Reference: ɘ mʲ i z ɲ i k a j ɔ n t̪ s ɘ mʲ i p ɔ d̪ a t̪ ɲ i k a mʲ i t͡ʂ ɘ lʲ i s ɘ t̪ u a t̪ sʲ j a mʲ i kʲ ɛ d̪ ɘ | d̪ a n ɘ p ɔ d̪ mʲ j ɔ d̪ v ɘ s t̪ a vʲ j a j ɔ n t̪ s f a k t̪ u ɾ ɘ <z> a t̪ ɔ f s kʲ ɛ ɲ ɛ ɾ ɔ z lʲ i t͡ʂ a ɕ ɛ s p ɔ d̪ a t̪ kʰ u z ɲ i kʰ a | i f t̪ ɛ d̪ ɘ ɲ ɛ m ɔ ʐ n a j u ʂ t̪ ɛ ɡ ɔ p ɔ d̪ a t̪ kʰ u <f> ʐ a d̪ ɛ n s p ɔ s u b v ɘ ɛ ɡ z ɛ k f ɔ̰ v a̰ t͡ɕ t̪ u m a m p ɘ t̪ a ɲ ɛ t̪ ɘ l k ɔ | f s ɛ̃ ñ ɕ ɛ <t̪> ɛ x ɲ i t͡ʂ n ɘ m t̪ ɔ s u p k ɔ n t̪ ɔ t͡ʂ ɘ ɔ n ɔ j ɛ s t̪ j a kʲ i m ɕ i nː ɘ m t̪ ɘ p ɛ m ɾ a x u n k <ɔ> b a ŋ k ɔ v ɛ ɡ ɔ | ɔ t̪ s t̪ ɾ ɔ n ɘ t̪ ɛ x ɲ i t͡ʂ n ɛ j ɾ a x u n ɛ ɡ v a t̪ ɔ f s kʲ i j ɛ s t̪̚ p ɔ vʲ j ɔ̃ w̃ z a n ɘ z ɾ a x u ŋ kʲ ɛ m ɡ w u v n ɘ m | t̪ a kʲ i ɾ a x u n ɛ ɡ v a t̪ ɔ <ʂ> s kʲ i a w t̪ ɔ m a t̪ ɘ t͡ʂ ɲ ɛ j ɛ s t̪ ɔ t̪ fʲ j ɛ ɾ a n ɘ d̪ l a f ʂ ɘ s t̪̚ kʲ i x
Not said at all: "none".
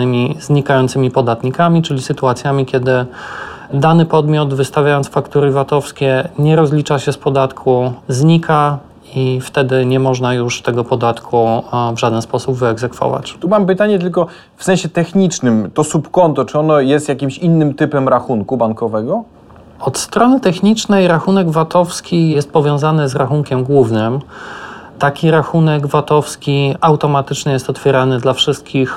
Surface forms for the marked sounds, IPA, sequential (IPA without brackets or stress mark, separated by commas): v, v, t̪, u, f